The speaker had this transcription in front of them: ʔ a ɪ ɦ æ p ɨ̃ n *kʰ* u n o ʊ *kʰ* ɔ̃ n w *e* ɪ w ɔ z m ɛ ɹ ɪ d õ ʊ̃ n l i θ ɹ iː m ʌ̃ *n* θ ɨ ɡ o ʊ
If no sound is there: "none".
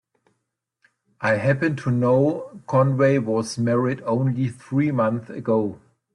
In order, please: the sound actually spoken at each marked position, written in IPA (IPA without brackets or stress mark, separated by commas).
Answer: tʰ, kʰ, e, n